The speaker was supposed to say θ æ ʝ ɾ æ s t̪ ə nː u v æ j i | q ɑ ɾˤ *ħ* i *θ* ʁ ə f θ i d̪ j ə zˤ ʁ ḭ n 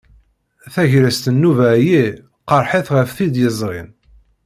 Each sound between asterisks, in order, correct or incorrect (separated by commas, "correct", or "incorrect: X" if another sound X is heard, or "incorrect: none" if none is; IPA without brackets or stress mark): correct, correct